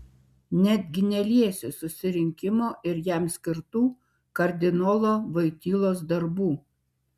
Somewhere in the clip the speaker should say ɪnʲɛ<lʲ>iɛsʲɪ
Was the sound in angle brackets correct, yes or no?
yes